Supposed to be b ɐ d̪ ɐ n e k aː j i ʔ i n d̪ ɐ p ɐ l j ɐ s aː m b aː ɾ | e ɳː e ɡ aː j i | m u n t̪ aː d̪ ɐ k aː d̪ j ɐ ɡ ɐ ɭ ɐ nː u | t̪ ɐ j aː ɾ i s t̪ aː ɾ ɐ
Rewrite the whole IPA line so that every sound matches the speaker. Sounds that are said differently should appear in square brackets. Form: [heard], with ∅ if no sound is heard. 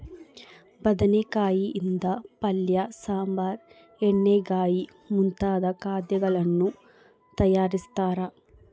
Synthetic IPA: b ɐ d̪ ɐ n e k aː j i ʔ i n d̪ ɐ p ɐ l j ɐ s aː m b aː ɾ | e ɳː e ɡ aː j i | m u n t̪ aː d̪ ɐ k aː d̪ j ɐ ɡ ɐ ɭ ɐ nː u | t̪ ɐ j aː ɾ i s t̪ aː ɾ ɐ

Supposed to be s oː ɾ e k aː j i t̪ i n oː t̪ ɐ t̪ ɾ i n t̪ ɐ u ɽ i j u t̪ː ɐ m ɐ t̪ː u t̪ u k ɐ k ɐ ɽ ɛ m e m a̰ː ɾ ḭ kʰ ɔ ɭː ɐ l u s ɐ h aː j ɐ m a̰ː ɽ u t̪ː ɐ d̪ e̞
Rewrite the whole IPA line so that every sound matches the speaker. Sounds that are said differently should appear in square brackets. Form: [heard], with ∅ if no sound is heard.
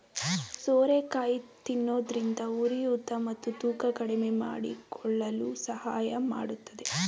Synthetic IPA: s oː ɾ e k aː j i t̪ i [nː] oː [d̪] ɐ [∅] ɾ i n [d̪] ɐ u [ɾ] i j u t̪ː ɐ m ɐ t̪ː u t̪ [uː] k ɐ k ɐ ɽ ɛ m e m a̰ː [ɽ] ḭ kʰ ɔ ɭː ɐ l u s ɐ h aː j ɐ m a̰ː ɽ u t̪ː ɐ d̪ e̞

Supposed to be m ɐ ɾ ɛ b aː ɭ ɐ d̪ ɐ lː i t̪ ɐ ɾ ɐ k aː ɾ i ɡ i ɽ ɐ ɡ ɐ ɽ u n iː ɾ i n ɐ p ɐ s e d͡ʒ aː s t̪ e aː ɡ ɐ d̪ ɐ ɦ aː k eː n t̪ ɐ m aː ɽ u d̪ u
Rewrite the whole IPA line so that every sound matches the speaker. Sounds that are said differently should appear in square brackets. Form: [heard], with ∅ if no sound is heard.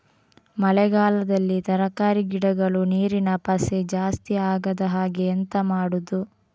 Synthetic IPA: m ɐ [l] ɛ [ɡ] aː [l] ɐ d̪ ɐ lː i t̪ ɐ ɾ ɐ k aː ɾ i ɡ i ɽ ɐ ɡ ɐ [ɭ] u n iː ɾ i n ɐ p ɐ s e d͡ʒ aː s t̪ [i] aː ɡ ɐ d̪ ɐ ɦ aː [ɡ] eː n t̪ ɐ m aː ɽ u d̪ u

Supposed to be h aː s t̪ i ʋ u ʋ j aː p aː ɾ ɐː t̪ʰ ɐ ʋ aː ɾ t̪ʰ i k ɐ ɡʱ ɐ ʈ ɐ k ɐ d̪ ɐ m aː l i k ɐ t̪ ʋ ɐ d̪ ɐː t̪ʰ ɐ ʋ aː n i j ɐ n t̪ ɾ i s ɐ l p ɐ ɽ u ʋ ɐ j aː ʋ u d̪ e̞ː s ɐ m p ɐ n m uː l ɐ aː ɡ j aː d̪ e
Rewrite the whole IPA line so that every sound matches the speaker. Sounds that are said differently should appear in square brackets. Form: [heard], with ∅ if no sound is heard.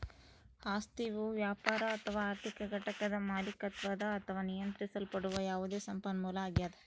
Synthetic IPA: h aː s t̪ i ʋ u ʋ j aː p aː ɾ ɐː t̪ʰ ɐ ʋ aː ɾ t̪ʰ i k ɐ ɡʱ ɐ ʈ ɐ k ɐ d̪ ɐ m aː l i k ɐ t̪ ʋ ɐ d̪ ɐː t̪ʰ ɐ ʋ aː n i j ɐ n t̪ ɾ i s ɐ l p ɐ ɽ u ʋ ɐ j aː ʋ u d̪ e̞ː s ɐ m p ɐ n m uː l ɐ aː ɡ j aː d̪ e

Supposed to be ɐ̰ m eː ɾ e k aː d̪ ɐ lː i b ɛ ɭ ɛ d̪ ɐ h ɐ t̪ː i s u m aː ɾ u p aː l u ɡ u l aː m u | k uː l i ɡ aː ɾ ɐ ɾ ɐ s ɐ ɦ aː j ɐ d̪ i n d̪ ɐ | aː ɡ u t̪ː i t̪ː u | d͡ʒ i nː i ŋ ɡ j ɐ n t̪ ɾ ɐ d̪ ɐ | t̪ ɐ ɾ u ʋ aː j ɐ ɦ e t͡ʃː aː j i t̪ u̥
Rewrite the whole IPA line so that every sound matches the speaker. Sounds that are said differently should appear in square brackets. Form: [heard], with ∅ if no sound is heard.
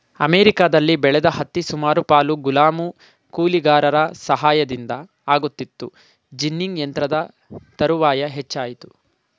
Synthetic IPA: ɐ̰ m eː ɾ [i] k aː d̪ ɐ lː i b ɛ ɭ ɛ d̪ ɐ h ɐ t̪ː i s u m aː ɾ u p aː l u ɡ u l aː m u | k uː l i ɡ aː ɾ ɐ ɾ ɐ s ɐ ɦ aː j ɐ d̪ i n d̪ ɐ | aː ɡ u t̪ː i t̪ː u | d͡ʒ i nː i ŋ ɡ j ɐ n t̪ ɾ ɐ d̪ ɐ | t̪ ɐ ɾ u ʋ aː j ɐ ɦ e t͡ʃː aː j i t̪ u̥

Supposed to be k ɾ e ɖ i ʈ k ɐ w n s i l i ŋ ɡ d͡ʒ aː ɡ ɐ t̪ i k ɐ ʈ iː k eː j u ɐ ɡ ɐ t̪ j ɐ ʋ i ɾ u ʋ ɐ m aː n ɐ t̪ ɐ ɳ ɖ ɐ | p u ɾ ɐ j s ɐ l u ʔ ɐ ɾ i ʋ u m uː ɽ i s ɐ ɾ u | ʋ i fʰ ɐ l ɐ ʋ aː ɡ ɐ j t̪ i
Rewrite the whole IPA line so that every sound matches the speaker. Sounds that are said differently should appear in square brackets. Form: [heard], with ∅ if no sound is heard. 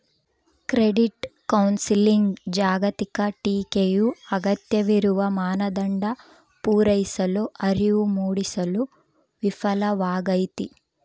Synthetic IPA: k ɾ e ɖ i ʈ k ɐ w n s i l i ŋ ɡ d͡ʒ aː ɡ ɐ t̪ i k ɐ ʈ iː k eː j u ɐ ɡ ɐ t̪ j ɐ ʋ i ɾ u ʋ ɐ m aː n ɐ [d̪] ɐ ɳ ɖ ɐ | p [uː] ɾ ɐ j s ɐ l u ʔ ɐ ɾ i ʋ u m uː ɽ i s ɐ [l] u | ʋ i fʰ ɐ l ɐ ʋ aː ɡ ɐ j t̪ i

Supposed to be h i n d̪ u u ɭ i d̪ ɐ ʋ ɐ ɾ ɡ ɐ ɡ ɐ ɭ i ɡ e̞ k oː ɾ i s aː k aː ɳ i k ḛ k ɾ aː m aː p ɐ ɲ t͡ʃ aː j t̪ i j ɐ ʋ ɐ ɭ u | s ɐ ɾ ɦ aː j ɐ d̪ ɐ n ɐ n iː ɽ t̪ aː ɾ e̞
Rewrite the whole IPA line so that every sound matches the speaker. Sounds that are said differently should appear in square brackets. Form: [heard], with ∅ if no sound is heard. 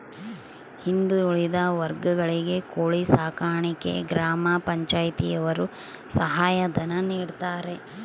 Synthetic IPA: h i n d̪ u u ɭ i d̪ ɐ ʋ ɐ ɾ ɡ ɐ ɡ ɐ ɭ i ɡ e̞ k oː [ɭ] i s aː k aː ɳ i k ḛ [ɡ] ɾ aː m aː p ɐ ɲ t͡ʃ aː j t̪ i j ɐ ʋ ɐ [ɾ] u | s ɐ [∅] ɦ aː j ɐ d̪ ɐ n ɐ n iː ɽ t̪ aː ɾ e̞

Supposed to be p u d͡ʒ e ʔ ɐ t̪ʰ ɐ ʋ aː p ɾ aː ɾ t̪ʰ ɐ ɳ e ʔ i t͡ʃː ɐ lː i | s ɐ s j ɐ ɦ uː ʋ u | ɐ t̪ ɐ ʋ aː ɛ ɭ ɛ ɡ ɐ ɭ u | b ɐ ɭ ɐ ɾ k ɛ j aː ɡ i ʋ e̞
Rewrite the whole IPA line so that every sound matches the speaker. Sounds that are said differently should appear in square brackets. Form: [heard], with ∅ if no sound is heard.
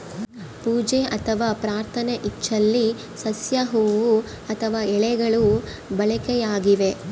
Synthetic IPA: p [uː] d͡ʒ e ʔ ɐ t̪ʰ ɐ ʋ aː p ɾ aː ɾ t̪ʰ ɐ [n] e ʔ i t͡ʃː ɐ lː i | s ɐ s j ɐ ɦ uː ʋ u | ɐ [t̪ʰ] ɐ ʋ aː ɛ ɭ ɛ ɡ ɐ ɭ u | b ɐ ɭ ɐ [∅] k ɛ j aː ɡ i ʋ e̞

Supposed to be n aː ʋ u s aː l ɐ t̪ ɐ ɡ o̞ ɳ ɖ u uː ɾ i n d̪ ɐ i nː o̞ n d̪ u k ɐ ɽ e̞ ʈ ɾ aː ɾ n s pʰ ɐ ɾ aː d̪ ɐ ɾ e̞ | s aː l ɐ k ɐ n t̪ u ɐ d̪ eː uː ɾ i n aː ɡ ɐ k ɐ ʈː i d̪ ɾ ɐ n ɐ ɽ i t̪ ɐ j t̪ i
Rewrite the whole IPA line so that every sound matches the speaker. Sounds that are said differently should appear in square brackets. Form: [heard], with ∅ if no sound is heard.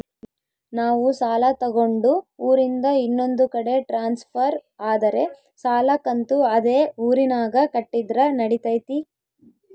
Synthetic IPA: n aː ʋ u s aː l ɐ t̪ ɐ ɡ o̞ ɳ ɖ u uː ɾ i n d̪ ɐ i nː o̞ n d̪ u k ɐ ɽ e̞ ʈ ɾ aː [∅] n s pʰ ɐ ɾ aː d̪ ɐ ɾ e̞ | s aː l ɐ k ɐ n t̪ u ɐ d̪ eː uː ɾ i n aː ɡ ɐ k ɐ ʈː i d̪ ɾ ɐ n ɐ ɽ i t̪ ɐ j t̪ i

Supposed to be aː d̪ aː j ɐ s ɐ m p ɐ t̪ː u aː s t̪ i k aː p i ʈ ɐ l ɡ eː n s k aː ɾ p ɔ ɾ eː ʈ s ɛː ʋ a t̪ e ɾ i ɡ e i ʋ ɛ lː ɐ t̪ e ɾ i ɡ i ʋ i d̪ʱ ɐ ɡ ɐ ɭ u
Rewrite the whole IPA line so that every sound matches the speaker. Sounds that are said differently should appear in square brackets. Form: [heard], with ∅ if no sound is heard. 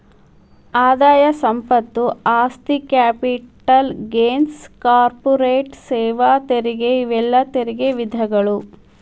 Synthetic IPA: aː d̪ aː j ɐ s ɐ m p ɐ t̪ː u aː s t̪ i k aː p i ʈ ɐ l ɡ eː n s k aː ɾ p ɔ ɾ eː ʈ s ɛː ʋ a t̪ e ɾ i ɡ e i ʋ ɛ lː ɐ t̪ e ɾ i ɡ [e] ʋ i d̪ʱ ɐ ɡ ɐ ɭ u

